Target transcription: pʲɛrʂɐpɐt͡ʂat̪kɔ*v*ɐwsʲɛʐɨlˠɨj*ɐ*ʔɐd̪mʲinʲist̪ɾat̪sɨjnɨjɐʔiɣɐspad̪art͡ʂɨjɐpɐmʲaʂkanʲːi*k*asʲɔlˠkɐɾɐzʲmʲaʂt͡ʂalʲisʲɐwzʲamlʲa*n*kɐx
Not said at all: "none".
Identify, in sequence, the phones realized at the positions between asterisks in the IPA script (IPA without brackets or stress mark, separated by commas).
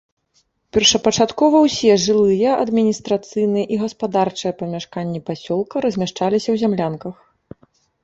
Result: v, ɐ, p, n